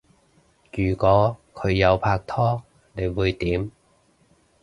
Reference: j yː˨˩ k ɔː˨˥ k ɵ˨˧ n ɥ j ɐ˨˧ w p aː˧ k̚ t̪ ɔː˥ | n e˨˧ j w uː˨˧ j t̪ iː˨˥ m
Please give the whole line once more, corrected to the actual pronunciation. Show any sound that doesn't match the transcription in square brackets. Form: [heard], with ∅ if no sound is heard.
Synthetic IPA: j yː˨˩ k ɔː˨˥ [kʰ] ɵ˨˧ [∅] ɥ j ɐ˨˧ w [pʰ] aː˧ k̚ [t̪ʰ] ɔː˥ | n e˨˧ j w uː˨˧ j t̪ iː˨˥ m